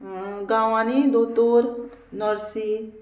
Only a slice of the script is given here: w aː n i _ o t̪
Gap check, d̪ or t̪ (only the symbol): d̪